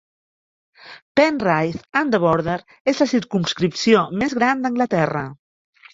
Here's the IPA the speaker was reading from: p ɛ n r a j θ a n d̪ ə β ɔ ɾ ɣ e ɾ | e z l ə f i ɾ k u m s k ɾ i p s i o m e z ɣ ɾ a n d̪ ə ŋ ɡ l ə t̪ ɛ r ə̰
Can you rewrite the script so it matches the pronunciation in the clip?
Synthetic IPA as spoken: p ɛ n r a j θ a n d̪ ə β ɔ ɾ ð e ɾ | e z l ə s i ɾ k u m s k ɾ i p s i o m e z ɣ ɾ a n d̪ ə ŋ ɡ l ə t̪ ɛ r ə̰